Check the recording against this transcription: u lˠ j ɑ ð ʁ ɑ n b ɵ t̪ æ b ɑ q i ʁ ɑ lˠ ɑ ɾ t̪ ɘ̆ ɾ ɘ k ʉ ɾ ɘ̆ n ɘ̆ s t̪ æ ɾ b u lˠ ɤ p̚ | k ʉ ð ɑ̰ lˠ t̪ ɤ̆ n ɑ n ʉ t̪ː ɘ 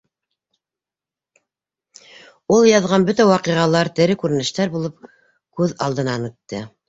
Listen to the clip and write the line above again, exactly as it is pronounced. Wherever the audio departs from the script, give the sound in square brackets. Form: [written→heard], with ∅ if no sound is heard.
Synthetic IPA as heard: u lˠ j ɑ ð ʁ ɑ n b ɵ t̪ æ [b→w] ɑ q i ʁ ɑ lˠ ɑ ɾ t̪ ɘ̆ ɾ ɘ k ʉ ɾ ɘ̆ n ɘ̆ [s→ʃ] t̪ æ ɾ b u lˠ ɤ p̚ | k ʉ ð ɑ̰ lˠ [t̪→d̪] ɤ̆ n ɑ n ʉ t̪ː ɘ